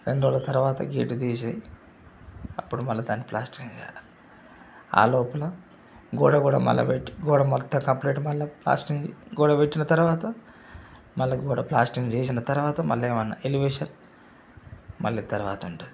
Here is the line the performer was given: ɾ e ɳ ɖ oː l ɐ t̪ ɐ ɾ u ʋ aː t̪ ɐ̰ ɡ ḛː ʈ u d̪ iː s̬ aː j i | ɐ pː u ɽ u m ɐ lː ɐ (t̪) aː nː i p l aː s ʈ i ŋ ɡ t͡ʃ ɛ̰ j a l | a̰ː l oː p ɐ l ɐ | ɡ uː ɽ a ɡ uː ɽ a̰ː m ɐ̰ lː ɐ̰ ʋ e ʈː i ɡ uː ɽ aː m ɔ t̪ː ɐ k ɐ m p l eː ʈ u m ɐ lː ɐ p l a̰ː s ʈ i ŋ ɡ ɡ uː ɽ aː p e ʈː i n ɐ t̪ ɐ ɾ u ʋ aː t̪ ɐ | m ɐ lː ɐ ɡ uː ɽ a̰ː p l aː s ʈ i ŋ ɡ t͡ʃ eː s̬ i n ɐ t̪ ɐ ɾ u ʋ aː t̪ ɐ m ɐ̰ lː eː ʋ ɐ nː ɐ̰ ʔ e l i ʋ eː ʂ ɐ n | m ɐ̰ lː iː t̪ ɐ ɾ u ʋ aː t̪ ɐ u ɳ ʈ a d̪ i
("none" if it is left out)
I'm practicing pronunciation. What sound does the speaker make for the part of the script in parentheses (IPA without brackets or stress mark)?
d̪